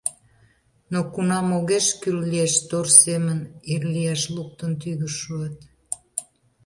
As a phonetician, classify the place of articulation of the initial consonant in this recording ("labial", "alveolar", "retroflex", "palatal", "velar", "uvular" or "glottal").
alveolar